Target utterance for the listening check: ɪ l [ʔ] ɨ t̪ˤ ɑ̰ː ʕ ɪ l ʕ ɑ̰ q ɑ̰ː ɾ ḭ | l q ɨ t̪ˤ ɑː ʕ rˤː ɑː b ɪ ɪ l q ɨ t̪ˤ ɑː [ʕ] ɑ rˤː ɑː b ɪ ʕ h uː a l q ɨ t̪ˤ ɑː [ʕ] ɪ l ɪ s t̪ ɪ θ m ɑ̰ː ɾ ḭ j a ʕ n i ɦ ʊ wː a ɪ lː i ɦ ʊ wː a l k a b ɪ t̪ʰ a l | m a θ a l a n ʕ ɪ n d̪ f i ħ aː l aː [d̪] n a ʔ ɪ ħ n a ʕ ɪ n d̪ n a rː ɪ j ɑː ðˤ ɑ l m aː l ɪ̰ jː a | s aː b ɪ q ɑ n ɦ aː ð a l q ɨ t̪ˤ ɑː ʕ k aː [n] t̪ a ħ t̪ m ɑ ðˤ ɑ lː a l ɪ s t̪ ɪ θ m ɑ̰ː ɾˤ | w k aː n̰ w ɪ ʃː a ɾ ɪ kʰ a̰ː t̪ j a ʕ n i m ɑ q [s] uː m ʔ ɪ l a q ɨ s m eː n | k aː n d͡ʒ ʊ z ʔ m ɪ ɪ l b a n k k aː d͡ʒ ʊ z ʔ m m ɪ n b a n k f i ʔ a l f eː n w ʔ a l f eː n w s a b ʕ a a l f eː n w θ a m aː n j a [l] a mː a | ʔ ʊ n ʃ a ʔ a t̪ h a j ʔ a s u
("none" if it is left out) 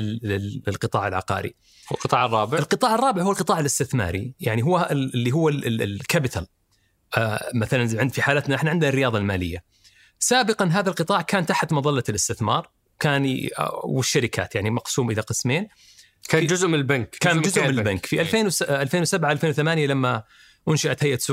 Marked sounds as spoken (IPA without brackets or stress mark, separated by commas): q, ʕ, ʕ, t̪, n, s, l